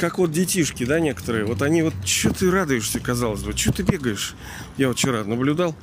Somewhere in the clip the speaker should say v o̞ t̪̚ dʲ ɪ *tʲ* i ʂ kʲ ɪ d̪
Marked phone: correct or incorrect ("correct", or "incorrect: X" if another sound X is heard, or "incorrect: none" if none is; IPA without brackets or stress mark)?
correct